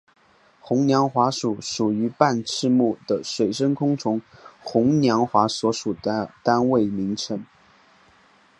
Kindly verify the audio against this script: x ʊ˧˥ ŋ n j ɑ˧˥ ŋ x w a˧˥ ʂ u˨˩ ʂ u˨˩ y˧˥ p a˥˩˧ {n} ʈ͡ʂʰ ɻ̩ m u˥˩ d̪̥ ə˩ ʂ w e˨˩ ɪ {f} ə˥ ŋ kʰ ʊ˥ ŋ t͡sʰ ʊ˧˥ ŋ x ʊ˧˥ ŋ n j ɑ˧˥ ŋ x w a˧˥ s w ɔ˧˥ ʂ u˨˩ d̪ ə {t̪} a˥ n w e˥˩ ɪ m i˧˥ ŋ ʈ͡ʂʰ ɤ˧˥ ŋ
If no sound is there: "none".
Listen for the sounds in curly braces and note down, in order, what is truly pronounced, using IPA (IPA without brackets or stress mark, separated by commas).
n, ʂ, t̪